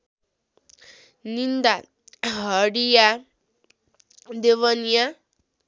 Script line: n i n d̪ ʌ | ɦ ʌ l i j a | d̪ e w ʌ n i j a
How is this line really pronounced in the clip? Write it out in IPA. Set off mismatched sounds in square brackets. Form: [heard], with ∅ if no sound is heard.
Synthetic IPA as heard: n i n d̪ [a] | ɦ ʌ [ɽ] i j a | d̪ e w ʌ n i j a